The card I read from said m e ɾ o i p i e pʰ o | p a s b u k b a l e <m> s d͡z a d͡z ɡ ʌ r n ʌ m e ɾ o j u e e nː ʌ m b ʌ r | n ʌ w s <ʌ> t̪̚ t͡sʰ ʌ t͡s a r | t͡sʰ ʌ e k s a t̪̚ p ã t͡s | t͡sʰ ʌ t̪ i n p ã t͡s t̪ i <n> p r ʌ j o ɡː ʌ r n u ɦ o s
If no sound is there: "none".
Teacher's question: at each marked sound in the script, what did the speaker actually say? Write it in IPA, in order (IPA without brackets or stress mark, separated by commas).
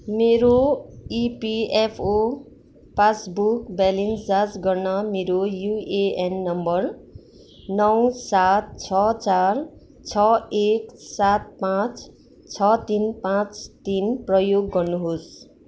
n, a, n